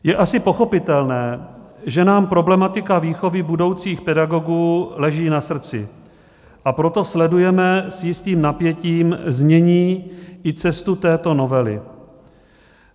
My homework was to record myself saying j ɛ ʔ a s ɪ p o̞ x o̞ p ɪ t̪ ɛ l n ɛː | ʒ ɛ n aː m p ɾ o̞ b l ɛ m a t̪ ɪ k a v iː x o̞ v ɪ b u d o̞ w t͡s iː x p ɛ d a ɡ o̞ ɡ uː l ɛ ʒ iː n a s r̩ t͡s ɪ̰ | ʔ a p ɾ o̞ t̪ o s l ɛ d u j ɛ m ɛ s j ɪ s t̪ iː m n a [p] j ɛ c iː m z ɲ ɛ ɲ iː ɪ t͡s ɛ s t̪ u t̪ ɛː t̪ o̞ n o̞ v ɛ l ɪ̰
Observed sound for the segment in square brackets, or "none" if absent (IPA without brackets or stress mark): p